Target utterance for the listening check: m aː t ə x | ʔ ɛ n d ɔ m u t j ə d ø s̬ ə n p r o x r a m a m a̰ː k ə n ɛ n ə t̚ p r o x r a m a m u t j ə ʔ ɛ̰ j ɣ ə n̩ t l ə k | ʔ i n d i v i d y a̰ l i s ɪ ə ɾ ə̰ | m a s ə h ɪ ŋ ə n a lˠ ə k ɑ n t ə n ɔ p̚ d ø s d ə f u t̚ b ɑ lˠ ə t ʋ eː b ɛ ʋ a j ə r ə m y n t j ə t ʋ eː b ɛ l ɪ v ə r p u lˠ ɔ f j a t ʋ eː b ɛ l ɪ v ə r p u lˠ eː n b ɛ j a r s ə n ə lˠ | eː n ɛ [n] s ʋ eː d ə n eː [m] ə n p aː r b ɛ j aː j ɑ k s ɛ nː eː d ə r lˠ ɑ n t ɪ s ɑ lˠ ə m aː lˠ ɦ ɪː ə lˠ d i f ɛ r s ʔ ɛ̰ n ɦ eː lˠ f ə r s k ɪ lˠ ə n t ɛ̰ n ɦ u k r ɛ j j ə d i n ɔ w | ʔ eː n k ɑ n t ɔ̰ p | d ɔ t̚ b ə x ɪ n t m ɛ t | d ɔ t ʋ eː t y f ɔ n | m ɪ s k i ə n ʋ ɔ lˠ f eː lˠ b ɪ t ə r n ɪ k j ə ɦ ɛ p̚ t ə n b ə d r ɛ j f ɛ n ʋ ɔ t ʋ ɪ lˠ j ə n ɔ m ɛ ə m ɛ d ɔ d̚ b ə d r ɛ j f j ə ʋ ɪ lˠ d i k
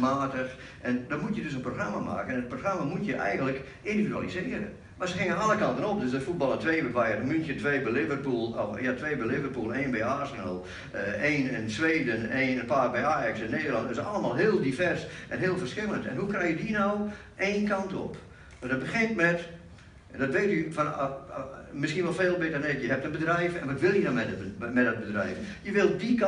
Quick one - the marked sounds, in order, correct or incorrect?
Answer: correct, incorrect: n

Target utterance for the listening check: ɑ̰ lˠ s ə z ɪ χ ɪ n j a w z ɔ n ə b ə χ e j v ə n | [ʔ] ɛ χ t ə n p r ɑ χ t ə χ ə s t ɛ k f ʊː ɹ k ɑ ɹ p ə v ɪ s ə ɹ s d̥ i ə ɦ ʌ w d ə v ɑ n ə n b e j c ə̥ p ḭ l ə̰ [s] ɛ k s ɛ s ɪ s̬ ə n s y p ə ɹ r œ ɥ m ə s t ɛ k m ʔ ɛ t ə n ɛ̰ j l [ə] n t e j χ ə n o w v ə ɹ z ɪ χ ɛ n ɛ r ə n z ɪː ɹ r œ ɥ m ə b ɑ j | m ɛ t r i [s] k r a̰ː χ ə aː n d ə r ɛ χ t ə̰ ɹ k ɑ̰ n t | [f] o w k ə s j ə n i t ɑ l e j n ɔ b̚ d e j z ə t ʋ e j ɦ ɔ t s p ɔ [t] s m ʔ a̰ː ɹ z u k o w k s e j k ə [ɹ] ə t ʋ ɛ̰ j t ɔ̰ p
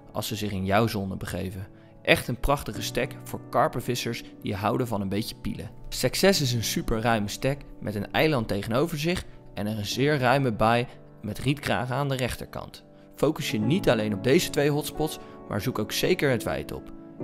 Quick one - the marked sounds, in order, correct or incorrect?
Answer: correct, correct, incorrect: ɑ, incorrect: t, correct, correct, correct

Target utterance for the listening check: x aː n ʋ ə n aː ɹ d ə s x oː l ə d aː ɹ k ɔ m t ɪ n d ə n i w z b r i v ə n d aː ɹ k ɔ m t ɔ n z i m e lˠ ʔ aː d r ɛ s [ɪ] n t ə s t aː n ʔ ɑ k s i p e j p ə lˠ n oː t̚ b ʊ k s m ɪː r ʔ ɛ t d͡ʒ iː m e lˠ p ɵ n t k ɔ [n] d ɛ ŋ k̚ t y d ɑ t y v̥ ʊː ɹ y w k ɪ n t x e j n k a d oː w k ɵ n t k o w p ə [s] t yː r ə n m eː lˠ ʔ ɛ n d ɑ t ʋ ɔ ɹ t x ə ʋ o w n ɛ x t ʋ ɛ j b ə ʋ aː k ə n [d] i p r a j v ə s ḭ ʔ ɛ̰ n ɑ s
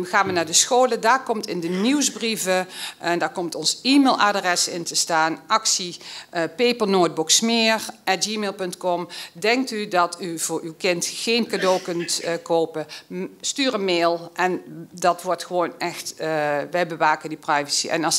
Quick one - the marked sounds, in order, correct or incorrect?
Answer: correct, incorrect: m, correct, correct

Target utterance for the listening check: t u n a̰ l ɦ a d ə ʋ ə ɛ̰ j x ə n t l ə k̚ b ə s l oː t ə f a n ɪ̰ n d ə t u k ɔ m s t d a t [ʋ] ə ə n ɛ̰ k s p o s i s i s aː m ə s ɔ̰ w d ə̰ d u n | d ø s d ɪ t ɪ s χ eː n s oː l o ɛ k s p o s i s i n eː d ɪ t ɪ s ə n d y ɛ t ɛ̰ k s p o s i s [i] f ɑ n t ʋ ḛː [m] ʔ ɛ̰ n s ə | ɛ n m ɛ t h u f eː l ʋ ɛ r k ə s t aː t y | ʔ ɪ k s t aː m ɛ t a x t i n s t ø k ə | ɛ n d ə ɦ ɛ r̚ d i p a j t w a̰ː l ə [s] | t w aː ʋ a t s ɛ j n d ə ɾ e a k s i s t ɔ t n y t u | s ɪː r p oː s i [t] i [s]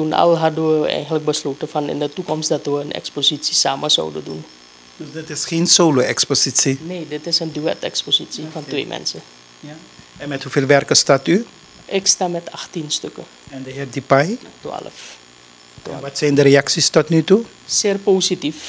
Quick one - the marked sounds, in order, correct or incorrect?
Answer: correct, correct, correct, incorrect: f, correct, incorrect: f

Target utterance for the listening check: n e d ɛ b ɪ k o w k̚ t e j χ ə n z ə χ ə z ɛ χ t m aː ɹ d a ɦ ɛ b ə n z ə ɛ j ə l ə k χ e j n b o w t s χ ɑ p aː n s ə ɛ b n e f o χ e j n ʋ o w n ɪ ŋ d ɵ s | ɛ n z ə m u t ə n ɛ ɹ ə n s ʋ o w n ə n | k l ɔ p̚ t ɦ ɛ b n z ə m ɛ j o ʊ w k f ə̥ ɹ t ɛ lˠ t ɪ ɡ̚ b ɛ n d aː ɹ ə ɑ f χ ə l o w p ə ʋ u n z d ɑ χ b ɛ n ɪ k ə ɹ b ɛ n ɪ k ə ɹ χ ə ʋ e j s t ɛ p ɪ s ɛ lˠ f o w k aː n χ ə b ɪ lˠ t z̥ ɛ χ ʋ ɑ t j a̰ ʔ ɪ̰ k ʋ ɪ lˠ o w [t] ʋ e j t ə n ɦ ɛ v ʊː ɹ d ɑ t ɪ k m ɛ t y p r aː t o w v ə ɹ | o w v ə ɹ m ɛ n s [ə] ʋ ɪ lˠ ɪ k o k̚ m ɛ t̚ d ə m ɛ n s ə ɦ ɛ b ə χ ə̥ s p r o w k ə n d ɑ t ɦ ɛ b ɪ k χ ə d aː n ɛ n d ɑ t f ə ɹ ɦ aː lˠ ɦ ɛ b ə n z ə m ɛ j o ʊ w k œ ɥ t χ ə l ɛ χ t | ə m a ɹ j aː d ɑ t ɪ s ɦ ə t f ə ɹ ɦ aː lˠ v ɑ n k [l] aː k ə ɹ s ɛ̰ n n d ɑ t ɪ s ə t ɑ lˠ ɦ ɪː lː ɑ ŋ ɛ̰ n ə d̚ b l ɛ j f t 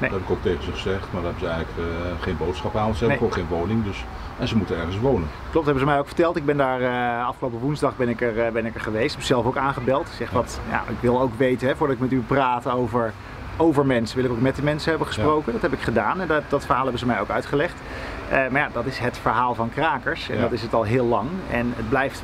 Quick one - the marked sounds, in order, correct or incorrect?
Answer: incorrect: k, correct, incorrect: r

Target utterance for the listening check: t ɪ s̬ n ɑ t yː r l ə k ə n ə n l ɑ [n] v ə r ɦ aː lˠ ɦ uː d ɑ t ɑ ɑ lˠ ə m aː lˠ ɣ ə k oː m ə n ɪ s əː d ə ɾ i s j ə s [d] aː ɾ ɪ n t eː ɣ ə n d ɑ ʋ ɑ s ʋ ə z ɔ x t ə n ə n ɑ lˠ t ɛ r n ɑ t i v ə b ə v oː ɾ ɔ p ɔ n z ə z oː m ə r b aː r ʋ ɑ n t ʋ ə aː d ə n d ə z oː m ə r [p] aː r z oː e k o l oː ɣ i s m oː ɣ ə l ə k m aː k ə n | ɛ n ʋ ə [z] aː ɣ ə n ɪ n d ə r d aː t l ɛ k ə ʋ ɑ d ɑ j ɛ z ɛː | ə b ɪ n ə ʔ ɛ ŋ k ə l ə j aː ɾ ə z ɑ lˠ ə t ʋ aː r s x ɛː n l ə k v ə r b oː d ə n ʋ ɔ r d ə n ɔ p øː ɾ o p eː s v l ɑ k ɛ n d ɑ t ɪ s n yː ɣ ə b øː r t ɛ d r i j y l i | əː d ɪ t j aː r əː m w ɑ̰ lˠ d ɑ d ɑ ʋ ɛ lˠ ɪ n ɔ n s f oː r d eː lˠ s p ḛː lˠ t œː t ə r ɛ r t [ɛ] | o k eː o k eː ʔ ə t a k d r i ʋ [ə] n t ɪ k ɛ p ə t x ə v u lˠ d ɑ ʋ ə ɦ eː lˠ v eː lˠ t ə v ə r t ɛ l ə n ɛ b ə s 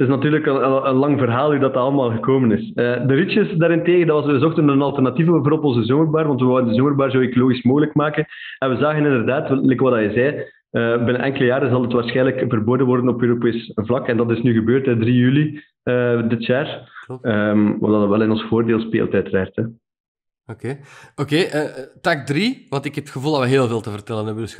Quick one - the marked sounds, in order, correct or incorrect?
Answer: incorrect: ŋ, correct, incorrect: b, correct, correct, incorrect: ɑ

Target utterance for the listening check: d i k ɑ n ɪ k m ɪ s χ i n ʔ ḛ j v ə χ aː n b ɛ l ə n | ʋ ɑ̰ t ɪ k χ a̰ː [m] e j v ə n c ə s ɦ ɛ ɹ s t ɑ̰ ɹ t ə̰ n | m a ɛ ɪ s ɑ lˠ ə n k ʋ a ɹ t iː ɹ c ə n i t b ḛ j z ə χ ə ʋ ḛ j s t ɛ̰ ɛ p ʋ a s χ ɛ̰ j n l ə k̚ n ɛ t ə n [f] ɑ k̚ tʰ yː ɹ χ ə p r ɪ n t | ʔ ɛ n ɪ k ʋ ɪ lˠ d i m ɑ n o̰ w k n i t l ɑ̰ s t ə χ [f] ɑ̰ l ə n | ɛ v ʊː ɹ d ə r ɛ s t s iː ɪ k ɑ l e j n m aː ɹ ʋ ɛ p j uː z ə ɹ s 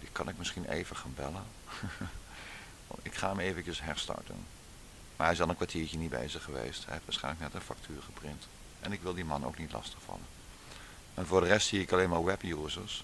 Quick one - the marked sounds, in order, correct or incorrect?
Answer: correct, correct, correct

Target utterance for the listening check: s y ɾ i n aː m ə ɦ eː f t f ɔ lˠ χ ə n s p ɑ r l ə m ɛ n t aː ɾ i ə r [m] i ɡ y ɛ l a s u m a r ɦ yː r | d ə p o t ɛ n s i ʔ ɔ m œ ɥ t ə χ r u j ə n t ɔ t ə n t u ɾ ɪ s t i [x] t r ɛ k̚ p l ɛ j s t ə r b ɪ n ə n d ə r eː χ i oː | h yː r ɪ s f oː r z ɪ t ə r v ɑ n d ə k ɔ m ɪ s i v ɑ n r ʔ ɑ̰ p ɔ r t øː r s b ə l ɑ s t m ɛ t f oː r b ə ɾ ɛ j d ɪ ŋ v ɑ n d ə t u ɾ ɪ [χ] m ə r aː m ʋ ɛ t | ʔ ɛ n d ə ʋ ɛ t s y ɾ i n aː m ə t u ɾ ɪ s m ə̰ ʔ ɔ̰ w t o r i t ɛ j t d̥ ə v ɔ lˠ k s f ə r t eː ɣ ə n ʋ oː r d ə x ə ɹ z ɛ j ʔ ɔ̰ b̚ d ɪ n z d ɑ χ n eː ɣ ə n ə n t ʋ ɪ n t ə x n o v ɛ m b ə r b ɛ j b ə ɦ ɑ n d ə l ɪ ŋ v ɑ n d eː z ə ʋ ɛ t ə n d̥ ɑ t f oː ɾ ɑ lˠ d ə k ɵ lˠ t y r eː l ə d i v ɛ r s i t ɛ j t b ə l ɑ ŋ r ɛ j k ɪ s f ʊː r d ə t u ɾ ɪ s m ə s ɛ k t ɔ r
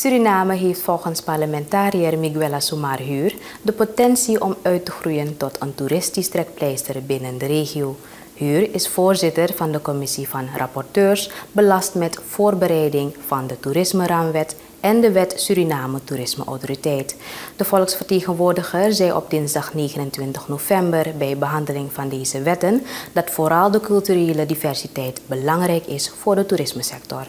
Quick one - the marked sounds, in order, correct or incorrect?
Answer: correct, incorrect: s, incorrect: s

